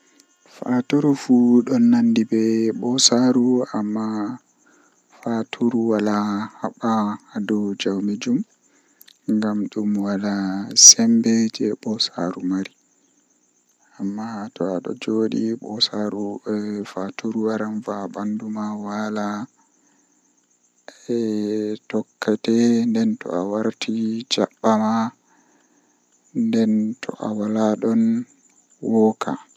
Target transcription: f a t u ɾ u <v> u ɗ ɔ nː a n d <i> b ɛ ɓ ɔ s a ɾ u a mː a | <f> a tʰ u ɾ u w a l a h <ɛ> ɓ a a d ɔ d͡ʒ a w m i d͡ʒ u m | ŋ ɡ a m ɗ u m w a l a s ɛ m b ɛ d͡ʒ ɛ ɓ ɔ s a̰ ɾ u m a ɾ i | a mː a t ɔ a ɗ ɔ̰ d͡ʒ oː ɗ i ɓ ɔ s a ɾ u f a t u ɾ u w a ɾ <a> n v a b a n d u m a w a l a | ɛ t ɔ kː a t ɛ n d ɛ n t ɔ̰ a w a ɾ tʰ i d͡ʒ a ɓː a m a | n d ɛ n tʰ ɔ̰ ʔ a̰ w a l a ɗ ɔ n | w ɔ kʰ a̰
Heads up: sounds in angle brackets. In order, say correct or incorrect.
incorrect, correct, correct, incorrect, correct

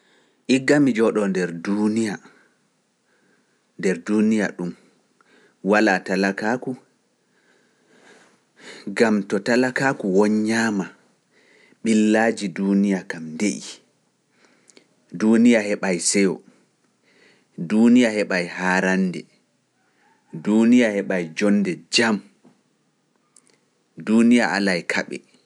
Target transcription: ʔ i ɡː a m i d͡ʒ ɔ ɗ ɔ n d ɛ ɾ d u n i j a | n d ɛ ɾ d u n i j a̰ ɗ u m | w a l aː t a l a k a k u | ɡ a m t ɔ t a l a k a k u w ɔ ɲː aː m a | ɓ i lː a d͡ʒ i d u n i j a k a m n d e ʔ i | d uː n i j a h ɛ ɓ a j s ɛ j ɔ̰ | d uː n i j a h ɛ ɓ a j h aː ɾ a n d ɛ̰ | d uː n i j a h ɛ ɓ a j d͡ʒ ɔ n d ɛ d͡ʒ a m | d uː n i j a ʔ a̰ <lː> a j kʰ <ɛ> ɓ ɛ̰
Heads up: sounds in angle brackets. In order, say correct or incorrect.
incorrect, incorrect

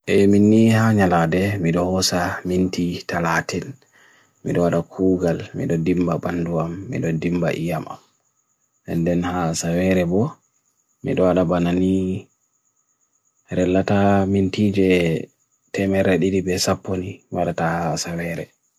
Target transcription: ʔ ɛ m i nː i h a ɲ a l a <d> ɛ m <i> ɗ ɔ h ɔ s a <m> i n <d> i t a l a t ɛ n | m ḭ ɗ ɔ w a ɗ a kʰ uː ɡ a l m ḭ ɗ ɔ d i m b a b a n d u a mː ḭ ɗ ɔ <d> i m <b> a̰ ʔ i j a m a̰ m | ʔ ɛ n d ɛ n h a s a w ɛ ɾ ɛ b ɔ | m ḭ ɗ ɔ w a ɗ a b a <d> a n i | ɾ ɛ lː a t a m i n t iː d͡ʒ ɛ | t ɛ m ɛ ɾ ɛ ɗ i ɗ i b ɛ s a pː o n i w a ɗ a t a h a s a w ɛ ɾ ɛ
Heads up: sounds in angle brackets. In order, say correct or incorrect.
correct, correct, correct, incorrect, correct, correct, incorrect

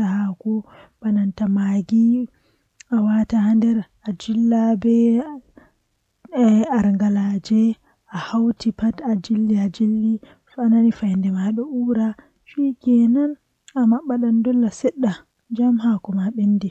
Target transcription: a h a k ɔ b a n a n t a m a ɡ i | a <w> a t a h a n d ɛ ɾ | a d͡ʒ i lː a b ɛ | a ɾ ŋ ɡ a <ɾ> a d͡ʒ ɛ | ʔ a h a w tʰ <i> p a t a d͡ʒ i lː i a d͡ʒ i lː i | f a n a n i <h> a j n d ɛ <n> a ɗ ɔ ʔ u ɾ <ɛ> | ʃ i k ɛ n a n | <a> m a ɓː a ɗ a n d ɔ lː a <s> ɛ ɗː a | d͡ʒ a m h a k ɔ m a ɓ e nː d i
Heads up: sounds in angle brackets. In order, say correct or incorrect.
correct, incorrect, correct, incorrect, incorrect, incorrect, correct, correct

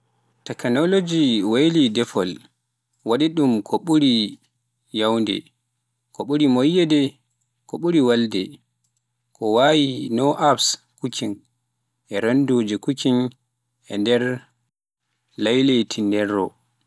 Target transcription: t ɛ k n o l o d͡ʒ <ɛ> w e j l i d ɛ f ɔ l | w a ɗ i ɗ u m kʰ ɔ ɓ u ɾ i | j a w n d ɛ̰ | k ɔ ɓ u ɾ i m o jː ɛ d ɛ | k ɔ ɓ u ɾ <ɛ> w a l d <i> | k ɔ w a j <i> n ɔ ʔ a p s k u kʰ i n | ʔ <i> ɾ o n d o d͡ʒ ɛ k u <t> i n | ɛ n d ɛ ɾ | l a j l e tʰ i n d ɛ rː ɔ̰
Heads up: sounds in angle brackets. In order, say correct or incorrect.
incorrect, incorrect, incorrect, correct, incorrect, incorrect

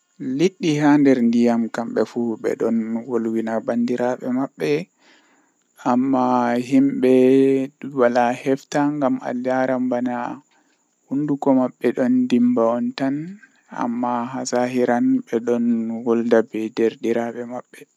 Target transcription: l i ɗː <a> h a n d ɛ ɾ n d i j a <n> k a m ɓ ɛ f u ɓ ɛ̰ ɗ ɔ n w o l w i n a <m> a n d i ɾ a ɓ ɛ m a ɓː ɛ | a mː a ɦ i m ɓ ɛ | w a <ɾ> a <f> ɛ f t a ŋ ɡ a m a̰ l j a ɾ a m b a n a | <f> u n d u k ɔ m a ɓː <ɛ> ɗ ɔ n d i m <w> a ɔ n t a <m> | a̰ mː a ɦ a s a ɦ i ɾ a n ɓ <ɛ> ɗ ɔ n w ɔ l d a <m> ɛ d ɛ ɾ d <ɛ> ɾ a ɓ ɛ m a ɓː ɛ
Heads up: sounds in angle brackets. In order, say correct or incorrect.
incorrect, incorrect, incorrect, incorrect, incorrect, incorrect, correct, incorrect, incorrect, correct, incorrect, incorrect

